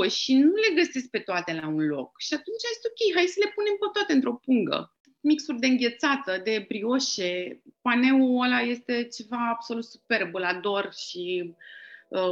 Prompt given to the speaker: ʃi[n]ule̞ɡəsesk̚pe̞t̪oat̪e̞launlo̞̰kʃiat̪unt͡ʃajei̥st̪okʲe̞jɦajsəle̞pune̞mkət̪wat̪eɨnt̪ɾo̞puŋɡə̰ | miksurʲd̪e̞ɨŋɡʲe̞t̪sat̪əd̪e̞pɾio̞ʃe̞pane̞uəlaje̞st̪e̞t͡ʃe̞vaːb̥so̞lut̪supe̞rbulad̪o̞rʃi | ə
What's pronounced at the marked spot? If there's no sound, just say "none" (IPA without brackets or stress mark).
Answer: n